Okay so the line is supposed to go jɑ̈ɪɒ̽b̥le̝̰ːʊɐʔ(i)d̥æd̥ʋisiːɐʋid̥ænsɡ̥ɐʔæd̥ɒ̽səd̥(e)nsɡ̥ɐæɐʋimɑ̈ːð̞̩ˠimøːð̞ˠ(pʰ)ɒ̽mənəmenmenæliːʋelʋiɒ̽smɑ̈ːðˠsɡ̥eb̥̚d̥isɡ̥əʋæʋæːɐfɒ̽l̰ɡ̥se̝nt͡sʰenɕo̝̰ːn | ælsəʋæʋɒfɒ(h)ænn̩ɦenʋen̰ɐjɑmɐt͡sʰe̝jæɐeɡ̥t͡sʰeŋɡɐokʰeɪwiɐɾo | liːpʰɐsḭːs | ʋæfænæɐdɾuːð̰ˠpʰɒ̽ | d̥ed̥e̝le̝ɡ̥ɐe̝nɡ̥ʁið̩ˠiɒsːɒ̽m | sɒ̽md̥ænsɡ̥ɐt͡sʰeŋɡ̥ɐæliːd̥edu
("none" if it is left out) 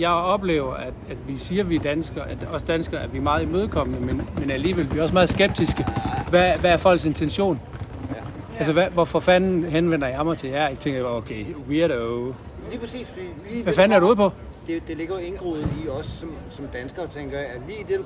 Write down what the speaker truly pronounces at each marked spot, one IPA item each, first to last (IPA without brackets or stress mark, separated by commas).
æ, æ, kʰ, f